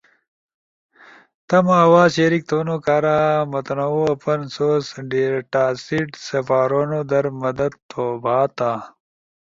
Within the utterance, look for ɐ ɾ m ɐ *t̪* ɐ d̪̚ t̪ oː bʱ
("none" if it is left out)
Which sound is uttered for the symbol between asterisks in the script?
d̪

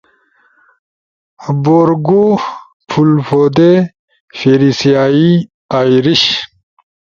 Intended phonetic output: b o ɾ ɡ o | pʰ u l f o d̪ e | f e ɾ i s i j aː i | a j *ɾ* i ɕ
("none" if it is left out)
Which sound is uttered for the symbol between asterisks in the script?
ɾ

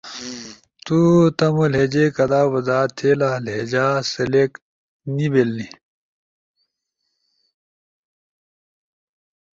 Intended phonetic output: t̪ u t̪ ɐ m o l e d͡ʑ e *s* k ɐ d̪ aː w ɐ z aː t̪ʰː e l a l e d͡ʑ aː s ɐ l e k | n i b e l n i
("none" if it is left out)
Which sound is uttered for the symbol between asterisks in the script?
none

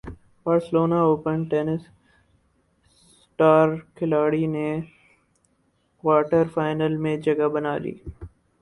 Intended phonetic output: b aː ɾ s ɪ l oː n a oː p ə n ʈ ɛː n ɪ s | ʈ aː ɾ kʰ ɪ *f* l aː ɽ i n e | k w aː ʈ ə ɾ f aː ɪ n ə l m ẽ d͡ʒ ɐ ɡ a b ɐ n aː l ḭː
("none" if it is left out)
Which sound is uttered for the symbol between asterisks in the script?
none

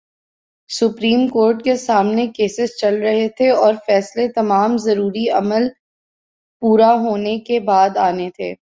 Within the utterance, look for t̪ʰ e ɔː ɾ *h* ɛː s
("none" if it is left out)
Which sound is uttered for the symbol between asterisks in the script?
f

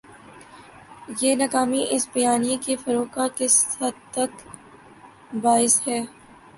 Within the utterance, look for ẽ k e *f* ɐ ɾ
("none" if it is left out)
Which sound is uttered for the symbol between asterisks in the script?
f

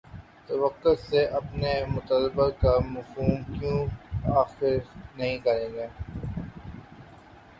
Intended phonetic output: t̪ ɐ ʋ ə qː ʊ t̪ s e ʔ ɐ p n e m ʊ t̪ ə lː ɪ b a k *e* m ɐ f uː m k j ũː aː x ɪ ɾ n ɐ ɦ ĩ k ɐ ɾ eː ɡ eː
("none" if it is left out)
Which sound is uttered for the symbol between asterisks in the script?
a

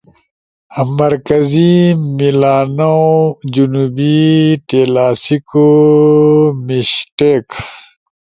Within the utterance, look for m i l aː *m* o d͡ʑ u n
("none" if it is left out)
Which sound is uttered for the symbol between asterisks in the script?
n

